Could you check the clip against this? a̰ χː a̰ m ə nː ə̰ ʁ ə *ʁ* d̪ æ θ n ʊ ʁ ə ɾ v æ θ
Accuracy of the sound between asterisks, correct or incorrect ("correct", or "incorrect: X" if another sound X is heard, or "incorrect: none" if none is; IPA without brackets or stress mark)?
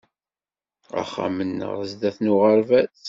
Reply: incorrect: z